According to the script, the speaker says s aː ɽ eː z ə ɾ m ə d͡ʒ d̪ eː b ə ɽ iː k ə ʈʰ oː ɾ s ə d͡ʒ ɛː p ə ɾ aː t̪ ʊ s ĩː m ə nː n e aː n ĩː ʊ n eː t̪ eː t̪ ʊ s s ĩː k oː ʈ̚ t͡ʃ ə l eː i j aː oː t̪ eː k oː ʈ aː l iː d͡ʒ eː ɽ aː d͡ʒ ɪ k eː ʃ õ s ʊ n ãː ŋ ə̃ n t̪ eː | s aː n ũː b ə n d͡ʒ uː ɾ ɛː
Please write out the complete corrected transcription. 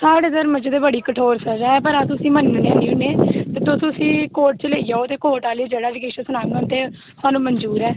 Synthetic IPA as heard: s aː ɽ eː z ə ɾ m ə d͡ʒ d̪ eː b ə ɽ iː k ə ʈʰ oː ɾ s ə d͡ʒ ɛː p ə ɾ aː t̪ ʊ s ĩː m ə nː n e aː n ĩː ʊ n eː t̪ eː t̪ ʊ s s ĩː k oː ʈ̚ t͡ʃ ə l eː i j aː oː t̪ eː k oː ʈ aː l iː d͡ʒ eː ɽ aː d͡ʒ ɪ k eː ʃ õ s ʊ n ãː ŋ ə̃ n t̪ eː | s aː n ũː m ə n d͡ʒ uː ɾ ɛː

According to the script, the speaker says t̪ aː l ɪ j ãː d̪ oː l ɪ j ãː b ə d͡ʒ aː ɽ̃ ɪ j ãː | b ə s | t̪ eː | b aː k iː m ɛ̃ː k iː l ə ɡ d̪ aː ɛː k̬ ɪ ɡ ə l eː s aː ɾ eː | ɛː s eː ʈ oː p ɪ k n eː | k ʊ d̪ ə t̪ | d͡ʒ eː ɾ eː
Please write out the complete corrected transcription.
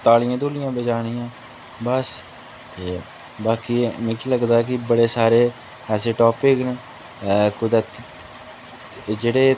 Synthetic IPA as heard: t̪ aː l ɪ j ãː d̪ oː l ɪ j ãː b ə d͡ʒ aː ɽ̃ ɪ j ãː | b ə s | t̪ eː | b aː k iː m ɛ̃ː k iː l ə ɡ d̪ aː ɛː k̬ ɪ b ə ɽ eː s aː ɾ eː | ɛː s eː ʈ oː p ɪ k n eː | k ʊ d̪ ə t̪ | d͡ʒ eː ɽ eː

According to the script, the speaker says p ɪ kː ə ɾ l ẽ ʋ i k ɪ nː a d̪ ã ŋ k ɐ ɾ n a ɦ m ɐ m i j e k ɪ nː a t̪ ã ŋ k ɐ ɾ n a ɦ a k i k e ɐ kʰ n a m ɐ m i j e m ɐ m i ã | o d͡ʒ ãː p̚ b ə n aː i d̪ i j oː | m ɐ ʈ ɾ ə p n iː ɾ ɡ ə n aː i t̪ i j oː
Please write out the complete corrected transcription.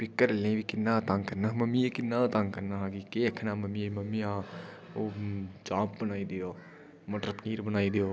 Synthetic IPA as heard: p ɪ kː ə ɾ l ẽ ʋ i k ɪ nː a t̪ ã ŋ k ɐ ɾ n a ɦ m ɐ m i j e k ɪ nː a t̪ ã ŋ k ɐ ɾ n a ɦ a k i k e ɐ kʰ n a m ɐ m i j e m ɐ m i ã | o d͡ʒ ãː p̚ b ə n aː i d̪ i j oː | m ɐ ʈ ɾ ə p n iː ɾ b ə n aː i d̪ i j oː

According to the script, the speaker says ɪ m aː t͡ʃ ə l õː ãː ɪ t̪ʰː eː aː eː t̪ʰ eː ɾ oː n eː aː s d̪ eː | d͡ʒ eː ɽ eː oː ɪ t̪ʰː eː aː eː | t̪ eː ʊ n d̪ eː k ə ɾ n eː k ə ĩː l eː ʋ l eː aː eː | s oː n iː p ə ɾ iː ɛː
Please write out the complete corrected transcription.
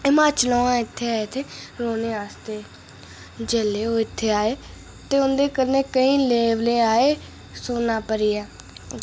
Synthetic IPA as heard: ɪ m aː t͡ʃ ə l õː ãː ɪ t̪ʰː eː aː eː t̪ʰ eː ɾ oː n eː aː s t̪ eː | d͡ʒ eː l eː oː ɪ t̪ʰː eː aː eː | t̪ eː ʊ n d̪ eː k ə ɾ n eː k ə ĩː l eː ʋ l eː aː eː | s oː n aː p ə ɾ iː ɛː

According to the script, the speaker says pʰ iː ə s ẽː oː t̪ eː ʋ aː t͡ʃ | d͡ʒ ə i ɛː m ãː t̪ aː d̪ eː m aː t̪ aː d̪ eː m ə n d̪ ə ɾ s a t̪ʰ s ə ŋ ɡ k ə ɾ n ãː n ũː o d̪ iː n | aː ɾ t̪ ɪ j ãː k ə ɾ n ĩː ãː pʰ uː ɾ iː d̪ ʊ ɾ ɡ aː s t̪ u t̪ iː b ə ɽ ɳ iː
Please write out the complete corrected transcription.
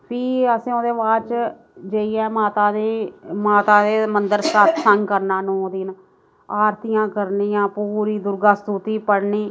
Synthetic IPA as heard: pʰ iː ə s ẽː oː d̪ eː ʋ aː t͡ʃ | d͡ʒ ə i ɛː m aː t̪ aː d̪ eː m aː t̪ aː d̪ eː m ə n d̪ ə ɾ s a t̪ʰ s ə ŋ ɡ k ə ɾ n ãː n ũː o d̪ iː n | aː ɾ t̪ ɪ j ãː k ə ɾ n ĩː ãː p uː ɾ iː d̪ ʊ ɾ ɡ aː s t̪ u t̪ iː p ə ɽ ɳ iː

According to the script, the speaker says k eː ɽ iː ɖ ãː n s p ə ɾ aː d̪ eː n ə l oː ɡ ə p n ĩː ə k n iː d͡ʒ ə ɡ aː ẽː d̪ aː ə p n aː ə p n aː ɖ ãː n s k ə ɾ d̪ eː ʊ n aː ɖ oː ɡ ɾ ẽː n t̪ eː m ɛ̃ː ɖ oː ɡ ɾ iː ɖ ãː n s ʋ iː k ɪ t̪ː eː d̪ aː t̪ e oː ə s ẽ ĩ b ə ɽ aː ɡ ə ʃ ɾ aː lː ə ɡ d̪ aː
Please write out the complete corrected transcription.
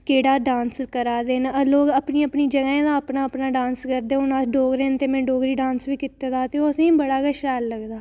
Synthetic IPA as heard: k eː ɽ aː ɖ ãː n s k ə ɾ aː d̪ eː n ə l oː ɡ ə p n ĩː ə p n iː d͡ʒ ə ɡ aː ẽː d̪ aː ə p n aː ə p n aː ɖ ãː n s k ə ɾ d̪ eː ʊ n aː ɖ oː ɡ ɾ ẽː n t̪ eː m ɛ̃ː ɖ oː ɡ ɾ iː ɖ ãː n s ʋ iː k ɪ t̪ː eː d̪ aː t̪ e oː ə s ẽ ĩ b ə ɽ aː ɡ ə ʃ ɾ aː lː ə ɡ d̪ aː

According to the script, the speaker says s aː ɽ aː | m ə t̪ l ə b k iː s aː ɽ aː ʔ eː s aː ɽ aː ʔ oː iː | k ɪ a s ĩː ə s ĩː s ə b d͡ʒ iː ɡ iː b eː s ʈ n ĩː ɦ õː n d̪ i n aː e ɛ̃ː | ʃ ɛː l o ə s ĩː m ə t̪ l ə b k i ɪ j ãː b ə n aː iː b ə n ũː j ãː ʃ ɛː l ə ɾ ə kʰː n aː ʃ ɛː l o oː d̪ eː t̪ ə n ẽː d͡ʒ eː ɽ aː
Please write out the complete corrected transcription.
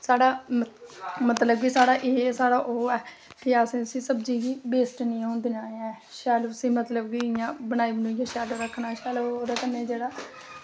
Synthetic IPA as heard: s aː ɽ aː | m ə t̪ l ə b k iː s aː ɽ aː ʔ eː s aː ɽ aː ʔ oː ɛː | k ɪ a s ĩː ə s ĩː s ə b d͡ʒ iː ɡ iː b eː s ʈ n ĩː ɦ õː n d̪ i n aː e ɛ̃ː | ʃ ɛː l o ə s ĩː m ə t̪ l ə b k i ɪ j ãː b ə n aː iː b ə n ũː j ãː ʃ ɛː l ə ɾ ə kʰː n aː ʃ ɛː l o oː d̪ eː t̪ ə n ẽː d͡ʒ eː ɽ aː

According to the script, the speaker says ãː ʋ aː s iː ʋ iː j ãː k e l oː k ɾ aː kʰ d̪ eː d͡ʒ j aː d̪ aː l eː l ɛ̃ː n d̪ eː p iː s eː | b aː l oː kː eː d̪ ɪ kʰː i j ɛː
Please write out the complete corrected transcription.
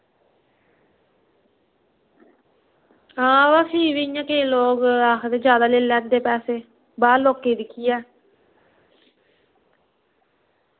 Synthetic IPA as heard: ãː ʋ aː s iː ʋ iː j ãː k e l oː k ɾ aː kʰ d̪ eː d͡ʒ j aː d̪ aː l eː l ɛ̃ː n d̪ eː p ɛː s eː | b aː l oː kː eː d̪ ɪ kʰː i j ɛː

